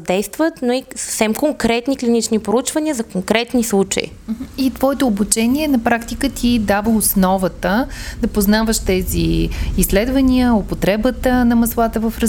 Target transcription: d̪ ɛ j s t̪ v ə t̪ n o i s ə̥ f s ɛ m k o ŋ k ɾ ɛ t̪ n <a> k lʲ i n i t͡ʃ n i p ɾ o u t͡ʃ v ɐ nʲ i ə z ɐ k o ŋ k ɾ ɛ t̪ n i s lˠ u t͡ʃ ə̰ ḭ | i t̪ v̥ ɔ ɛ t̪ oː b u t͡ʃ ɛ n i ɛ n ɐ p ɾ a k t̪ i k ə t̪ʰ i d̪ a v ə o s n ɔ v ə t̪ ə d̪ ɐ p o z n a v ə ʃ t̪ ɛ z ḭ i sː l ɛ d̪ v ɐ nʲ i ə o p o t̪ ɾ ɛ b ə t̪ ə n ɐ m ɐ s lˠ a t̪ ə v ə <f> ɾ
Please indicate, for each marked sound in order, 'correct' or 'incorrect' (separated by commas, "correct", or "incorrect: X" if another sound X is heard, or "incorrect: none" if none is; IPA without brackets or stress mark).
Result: incorrect: i, correct